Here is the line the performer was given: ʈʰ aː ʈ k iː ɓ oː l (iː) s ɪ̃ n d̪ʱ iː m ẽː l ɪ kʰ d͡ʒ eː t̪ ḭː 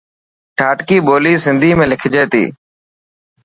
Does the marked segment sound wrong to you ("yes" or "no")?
no